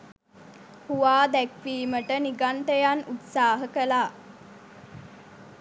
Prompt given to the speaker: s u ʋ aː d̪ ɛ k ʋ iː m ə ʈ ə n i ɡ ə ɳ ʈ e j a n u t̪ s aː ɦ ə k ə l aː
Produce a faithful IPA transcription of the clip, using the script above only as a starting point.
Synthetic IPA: h u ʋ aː d̪ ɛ k ʋ iː m ə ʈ ə n i ɡ a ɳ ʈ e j a n u t̪ s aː ɦ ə k ə l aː